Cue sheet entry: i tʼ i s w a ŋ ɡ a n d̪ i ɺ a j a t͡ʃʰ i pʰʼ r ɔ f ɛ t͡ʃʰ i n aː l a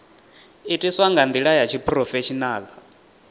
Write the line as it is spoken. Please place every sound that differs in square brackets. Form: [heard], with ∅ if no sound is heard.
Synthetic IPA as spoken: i tʼ i s w a ŋ ɡ a n d̪ i ɺ a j a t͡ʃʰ i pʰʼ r ɔ f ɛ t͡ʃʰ i n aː l a